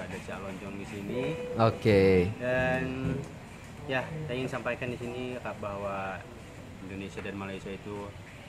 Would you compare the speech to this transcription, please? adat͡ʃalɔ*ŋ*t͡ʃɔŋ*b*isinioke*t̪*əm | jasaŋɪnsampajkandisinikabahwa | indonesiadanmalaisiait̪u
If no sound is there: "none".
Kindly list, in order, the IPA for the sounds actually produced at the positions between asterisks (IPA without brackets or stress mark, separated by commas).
ɲ, d, none